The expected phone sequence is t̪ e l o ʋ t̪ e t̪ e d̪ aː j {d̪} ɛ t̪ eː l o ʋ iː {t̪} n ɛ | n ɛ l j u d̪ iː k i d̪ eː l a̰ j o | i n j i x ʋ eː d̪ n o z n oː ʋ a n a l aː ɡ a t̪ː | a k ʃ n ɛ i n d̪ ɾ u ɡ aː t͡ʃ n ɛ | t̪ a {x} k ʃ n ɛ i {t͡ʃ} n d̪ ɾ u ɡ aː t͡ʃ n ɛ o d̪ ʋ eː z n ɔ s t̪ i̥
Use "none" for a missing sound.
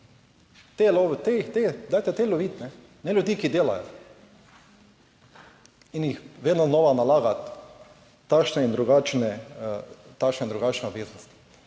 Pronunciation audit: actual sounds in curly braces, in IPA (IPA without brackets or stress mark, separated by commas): t̪, t̪, none, none